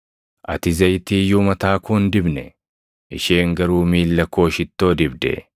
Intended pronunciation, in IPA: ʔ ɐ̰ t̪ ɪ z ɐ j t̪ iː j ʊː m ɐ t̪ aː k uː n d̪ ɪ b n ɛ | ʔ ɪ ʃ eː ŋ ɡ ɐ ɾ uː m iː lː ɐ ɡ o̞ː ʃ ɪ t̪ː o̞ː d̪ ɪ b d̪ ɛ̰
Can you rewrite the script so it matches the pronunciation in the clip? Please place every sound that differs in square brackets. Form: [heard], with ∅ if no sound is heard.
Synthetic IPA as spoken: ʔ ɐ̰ t̪ ɪ z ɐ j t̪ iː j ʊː m ɐ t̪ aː k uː n d̪ ɪ b n ɛ | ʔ ɪ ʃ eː ŋ ɡ ɐ ɾ uː m iː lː ɐ [k] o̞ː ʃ ɪ t̪ː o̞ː d̪ ɪ b d̪ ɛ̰